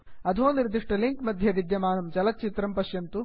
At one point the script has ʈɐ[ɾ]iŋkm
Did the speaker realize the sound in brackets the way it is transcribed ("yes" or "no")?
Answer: no